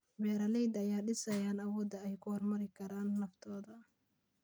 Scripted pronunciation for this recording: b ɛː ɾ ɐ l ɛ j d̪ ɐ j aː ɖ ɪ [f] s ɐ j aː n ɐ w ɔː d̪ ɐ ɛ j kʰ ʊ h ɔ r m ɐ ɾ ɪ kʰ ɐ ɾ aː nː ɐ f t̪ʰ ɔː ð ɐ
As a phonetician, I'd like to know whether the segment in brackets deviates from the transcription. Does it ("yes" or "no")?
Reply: yes